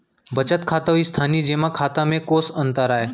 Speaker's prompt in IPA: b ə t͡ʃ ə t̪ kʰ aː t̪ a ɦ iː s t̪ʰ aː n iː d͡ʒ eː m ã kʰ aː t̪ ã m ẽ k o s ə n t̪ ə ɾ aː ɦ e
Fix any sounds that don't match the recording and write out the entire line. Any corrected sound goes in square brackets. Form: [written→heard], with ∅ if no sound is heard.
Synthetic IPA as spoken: b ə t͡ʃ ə t̪ kʰ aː t̪ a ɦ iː s t̪ʰ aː n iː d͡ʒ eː m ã kʰ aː t̪ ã m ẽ k o s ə n t̪ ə ɾ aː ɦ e